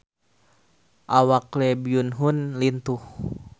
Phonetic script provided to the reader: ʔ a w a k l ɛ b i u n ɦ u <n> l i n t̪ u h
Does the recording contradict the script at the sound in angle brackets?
no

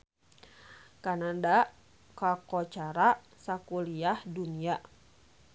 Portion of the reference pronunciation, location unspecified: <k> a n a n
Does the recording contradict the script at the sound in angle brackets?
no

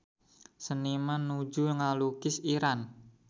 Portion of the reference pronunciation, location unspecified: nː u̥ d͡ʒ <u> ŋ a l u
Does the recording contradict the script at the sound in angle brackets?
no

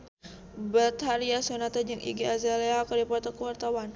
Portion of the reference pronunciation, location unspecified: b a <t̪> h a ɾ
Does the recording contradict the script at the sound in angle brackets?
no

